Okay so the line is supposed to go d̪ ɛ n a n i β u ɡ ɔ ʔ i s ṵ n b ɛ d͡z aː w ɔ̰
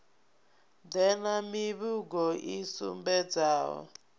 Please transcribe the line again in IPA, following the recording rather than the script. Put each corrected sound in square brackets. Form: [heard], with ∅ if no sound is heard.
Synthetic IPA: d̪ ɛ n a [m] i β u ɡ ɔ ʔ i s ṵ [m] b ɛ d͡z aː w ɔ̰